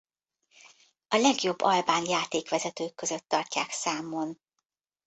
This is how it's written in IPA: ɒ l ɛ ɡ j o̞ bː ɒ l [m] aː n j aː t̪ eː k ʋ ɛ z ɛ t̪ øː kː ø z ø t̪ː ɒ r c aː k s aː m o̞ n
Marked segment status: incorrect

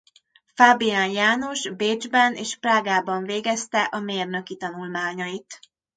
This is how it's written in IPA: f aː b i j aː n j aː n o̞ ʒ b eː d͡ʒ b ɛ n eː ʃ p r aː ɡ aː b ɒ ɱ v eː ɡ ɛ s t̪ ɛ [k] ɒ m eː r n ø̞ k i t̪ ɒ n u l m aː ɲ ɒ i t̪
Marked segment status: incorrect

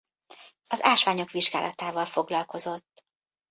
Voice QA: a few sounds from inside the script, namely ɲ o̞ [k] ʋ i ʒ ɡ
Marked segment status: correct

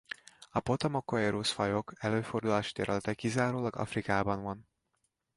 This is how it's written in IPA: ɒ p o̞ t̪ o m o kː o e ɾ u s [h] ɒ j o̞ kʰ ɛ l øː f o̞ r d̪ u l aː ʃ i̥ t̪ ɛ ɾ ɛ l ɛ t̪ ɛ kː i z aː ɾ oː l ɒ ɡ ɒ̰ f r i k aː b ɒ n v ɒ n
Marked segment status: incorrect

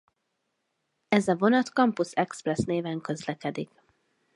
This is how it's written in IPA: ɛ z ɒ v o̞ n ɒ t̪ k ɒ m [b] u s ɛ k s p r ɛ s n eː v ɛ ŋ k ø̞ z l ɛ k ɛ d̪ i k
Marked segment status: incorrect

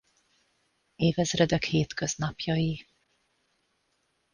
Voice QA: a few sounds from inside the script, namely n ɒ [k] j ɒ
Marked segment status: incorrect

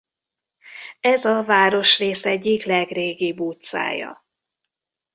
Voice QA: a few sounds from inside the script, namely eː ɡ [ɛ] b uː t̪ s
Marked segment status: incorrect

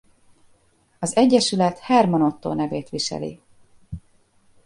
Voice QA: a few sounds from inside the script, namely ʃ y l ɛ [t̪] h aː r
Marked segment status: correct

